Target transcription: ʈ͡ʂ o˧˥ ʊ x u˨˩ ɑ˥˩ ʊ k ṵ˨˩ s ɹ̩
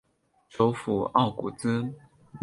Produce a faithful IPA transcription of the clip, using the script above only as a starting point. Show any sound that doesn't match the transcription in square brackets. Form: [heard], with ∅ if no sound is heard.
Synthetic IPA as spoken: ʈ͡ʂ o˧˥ ʊ [f] u˨˩ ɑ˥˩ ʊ k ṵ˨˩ [t͡s] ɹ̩